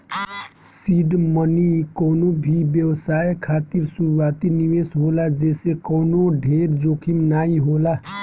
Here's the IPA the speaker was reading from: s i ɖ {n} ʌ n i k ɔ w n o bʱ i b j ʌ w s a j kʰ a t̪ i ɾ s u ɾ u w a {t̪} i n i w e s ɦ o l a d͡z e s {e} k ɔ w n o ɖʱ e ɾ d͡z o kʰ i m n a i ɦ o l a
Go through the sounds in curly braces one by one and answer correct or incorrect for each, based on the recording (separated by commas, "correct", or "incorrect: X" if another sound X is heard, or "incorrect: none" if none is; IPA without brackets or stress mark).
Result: incorrect: m, correct, correct